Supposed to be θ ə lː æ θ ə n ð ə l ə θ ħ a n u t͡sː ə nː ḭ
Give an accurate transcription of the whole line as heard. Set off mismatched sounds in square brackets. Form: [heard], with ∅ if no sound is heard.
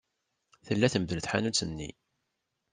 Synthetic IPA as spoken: θ ə lː æ θ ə [m] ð ə l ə θ ħ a n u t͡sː ə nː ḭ